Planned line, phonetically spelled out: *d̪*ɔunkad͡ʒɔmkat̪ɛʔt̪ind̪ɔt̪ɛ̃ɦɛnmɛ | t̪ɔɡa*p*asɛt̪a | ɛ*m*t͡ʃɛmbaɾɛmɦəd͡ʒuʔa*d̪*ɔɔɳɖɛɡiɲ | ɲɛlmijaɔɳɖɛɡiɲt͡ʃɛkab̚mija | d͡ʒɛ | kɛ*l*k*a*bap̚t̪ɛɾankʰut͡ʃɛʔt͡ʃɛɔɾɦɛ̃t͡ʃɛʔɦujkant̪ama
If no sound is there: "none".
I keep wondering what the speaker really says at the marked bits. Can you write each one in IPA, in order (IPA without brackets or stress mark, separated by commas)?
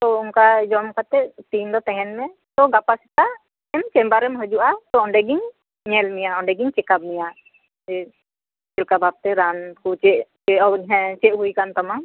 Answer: t̪, p, m, t̪, l, a